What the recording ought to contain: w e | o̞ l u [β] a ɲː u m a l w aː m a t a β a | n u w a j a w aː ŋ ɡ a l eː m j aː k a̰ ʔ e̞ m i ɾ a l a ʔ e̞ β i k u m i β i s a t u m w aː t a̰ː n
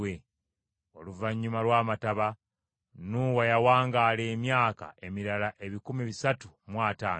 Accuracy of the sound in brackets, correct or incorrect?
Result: incorrect